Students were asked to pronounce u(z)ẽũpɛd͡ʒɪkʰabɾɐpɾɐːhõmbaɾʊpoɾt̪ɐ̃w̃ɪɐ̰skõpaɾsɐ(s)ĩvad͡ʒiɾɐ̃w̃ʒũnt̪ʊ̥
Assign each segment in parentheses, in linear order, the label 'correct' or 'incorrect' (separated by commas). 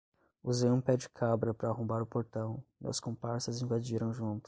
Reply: correct, incorrect